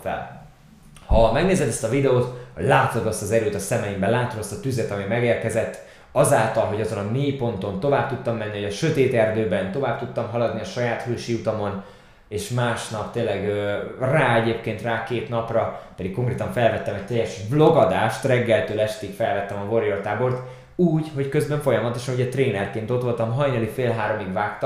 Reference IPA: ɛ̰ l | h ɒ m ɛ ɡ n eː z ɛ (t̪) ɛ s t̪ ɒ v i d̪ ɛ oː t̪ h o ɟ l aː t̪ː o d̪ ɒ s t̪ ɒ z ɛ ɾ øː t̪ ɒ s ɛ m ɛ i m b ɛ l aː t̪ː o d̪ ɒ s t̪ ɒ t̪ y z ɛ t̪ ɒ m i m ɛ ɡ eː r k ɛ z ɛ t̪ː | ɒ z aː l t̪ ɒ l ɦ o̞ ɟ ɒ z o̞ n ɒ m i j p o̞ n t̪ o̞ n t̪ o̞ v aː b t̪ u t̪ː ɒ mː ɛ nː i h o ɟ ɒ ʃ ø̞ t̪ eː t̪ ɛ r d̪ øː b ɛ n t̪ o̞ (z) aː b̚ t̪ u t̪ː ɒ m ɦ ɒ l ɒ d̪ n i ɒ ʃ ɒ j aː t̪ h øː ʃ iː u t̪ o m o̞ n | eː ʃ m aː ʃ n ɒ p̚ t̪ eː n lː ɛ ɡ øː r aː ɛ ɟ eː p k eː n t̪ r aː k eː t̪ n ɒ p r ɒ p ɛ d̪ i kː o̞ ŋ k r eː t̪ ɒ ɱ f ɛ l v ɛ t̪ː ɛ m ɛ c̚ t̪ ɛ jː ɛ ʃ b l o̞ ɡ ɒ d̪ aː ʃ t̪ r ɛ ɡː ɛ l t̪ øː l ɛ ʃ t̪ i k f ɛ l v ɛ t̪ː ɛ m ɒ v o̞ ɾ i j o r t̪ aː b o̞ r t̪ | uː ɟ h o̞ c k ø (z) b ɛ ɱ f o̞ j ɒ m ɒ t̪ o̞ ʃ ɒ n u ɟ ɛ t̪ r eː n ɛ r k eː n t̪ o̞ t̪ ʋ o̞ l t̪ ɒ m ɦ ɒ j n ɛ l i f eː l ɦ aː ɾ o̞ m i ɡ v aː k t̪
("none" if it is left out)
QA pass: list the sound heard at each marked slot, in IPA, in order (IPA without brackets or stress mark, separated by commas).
d̪, v, z